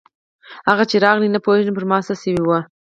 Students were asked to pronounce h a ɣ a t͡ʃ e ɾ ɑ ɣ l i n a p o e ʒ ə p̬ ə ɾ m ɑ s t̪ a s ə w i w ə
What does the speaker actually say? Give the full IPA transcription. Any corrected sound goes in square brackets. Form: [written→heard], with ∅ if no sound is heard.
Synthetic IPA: h a ɣ a t͡ʃ e ɾ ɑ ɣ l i n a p o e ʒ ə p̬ ə ɾ m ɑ s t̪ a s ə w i w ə